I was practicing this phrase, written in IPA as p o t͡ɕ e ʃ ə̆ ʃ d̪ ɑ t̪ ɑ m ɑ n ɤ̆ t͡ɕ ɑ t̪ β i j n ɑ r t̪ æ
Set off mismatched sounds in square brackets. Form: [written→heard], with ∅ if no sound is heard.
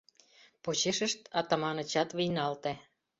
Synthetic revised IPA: p o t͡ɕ e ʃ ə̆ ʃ [d̪→t̪] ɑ t̪ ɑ m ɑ n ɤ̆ t͡ɕ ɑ t̪ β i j n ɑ [r→l] t̪ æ